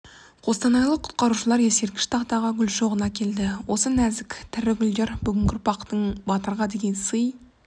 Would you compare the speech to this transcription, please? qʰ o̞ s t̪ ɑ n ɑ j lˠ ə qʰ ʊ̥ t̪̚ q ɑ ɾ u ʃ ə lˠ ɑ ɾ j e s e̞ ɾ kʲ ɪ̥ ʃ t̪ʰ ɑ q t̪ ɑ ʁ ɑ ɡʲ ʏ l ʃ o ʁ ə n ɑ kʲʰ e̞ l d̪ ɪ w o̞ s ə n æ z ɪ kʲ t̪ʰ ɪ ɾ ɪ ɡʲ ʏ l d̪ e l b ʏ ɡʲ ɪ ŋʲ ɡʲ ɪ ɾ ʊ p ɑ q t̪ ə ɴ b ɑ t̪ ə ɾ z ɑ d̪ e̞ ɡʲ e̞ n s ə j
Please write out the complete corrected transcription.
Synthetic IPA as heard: qʰ o̞ s t̪ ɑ n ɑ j lˠ ə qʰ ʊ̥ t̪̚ q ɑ ɾ u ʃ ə lˠ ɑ ɾ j e s e̞ ɾ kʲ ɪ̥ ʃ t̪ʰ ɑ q t̪ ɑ ʁ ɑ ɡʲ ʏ l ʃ o ʁ ə n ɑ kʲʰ e̞ l d̪ ɪ w o̞ s ə n æ z ɪ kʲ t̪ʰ ɪ ɾ ɪ ɡʲ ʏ l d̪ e ɾ b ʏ ɡʲ ɪ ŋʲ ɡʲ ɪ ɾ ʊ p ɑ q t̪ ə ɴ b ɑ t̪ ə ɾ ʁ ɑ d̪ e̞ ɡʲ e̞ n s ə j

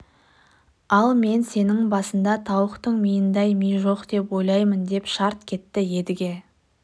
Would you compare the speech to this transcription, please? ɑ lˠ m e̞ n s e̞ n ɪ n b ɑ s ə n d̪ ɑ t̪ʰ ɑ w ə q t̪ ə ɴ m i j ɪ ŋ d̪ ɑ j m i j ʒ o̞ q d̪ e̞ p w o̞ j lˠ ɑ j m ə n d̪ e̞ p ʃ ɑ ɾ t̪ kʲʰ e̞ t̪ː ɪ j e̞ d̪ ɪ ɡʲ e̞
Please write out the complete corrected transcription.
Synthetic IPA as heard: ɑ lˠ m e̞ n s e̞ n ɪ ŋ b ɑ s ə n d̪ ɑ t̪ʰ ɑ w ə q t̪ ə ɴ m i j ɪ n d̪ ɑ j m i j ʒ o̞ q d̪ e̞ p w o̞ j lˠ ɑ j m ə n d̪ e̞ p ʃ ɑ ɾ t̪ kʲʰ e̞ t̪ː ɪ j e̞ d̪ ɪ ɡʲ e̞

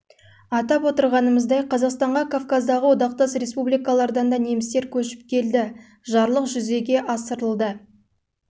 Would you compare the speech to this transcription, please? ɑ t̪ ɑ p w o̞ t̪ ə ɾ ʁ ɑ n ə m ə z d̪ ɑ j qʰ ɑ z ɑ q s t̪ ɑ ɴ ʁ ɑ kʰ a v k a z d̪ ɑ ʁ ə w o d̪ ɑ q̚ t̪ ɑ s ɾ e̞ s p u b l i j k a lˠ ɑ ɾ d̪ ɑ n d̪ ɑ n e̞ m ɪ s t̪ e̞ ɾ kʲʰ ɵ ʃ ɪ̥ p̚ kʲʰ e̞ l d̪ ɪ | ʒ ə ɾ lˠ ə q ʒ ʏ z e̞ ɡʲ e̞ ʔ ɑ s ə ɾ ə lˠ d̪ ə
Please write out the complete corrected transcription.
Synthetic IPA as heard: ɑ t̪ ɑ p w o̞ t̪ ə ɾ ʁ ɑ n ə m ə z d̪ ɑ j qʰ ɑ z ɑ q s t̪ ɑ ɴ ʁ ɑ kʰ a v k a z d̪ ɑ ʁ ə w o d̪ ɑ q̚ t̪ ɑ s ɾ e̞ s p u b l i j k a lˠ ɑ ɾ d̪ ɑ n d̪ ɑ n e̞ m ɪ s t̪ e̞ ɾ kʲʰ ɵ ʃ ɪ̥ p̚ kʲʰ e̞ l d̪ ɪ | ʒ ɑ ɾ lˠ ə q ʒ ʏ z e̞ ɡʲ e̞ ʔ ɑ s ə ɾ ə lˠ d̪ ə

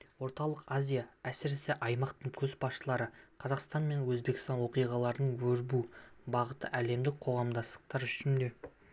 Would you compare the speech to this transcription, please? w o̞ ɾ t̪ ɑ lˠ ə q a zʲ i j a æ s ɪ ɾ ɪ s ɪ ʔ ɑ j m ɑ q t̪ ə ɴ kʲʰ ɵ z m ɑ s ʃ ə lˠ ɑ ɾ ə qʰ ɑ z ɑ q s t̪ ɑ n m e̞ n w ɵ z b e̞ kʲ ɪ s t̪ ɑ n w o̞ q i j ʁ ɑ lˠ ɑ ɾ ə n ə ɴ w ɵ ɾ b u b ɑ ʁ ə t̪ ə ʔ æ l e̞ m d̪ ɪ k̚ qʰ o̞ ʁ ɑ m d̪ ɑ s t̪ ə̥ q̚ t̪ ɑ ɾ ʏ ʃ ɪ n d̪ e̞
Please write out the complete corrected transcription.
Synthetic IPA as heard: w o̞ ɾ t̪ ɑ lˠ ə q a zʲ i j a æ s ɪ ɾ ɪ s ɪ ʔ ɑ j m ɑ q t̪ ə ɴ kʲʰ ɵ z b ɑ s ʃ ə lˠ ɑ ɾ ə qʰ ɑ z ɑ q s t̪ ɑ n m e̞ n w ɵ z b e̞ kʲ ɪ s t̪ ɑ n w o̞ q i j ʁ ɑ lˠ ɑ ɾ ə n ə ɴ w ɵ ɾ b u b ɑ ʁ ə t̪ ə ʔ æ l e̞ m d̪ ɪ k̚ qʰ o̞ ʁ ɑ m d̪ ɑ s t̪ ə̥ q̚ t̪ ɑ ɾ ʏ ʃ ɪ n d̪ e̞

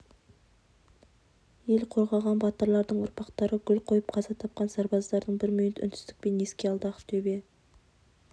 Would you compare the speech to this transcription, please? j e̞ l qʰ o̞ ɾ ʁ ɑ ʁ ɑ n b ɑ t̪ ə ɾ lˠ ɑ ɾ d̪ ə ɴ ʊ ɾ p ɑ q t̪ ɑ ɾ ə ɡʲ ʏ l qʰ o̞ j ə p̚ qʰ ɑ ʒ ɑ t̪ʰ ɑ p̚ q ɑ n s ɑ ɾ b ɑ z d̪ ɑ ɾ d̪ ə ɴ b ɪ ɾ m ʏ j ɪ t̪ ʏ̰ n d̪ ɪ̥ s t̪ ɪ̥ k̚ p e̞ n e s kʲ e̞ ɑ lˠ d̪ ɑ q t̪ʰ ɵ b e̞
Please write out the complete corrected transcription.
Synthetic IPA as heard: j e̞ l qʰ o̞ ɾ ʁ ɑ ʁ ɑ n b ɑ t̪ ə ɾ lˠ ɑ ɾ d̪ ə ɴ ʊ ɾ p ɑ q t̪ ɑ ɾ ə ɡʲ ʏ l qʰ o̞ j ə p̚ qʰ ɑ z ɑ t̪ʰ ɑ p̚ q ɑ n s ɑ ɾ b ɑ z d̪ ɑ ɾ d̪ ə ɴ b ɪ ɾ m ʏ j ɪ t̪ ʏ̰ n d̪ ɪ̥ s t̪ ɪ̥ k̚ p e̞ n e s kʲ e̞ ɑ lˠ d̪ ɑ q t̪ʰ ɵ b e̞

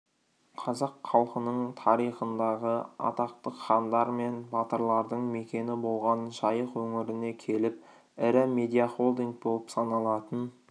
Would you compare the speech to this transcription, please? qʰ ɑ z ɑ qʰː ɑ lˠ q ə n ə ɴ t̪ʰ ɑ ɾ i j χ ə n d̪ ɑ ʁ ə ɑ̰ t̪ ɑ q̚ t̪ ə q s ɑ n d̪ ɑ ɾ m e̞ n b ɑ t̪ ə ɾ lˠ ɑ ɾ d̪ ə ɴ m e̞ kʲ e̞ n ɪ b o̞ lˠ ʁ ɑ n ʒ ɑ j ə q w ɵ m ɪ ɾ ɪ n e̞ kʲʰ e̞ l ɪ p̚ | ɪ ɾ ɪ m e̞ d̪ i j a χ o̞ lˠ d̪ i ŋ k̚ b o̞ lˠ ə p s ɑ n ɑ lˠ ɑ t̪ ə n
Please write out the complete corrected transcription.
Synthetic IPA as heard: qʰ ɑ z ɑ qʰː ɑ lˠ q ə n ə ɴ t̪ʰ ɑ ɾ i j χ ə n d̪ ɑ ʁ ə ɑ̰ t̪ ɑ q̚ t̪ ə q χ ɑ n d̪ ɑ ɾ m e̞ n b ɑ t̪ ə ɾ lˠ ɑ ɾ d̪ ə ɴ m e̞ kʲ e̞ n ɪ b o̞ lˠ ʁ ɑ n ʒ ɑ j ə q w ɵ ŋ ɪ ɾ ɪ n e̞ kʲʰ e̞ l ɪ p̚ | ɪ ɾ ɪ m e̞ d̪ i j a χ o̞ lˠ d̪ i ŋ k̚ b o̞ lˠ ə p s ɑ n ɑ lˠ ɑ t̪ ə n

